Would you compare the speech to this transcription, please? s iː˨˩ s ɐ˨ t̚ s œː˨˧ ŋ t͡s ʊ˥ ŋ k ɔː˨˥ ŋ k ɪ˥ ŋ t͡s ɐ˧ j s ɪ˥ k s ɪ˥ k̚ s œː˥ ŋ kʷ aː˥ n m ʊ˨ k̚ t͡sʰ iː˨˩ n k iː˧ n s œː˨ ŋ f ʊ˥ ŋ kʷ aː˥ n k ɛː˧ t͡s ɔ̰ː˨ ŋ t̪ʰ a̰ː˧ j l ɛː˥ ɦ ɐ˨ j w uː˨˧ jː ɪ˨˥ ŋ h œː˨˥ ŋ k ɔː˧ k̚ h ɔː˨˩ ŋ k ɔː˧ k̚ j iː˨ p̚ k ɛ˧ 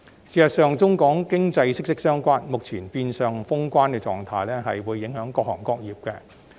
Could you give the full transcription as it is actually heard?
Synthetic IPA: s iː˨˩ s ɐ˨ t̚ s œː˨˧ ŋ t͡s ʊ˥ ŋ k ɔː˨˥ ŋ k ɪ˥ ŋ t͡s ɐ˧ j s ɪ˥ k s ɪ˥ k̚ s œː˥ ŋ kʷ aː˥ n m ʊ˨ k̚ t͡sʰ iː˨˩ n p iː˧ n s œː˨ ŋ f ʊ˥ ŋ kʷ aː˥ n k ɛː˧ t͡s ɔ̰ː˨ ŋ t̪ʰ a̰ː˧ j l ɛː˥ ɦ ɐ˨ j w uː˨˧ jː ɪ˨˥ ŋ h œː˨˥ ŋ k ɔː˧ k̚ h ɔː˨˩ ŋ k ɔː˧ k̚ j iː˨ p̚ k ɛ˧